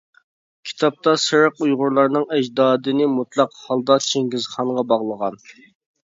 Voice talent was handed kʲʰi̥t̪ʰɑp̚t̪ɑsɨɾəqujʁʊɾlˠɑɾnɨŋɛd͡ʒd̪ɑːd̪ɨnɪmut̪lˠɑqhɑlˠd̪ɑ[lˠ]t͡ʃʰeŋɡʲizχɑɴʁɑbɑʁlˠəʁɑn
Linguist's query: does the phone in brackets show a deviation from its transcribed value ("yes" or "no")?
yes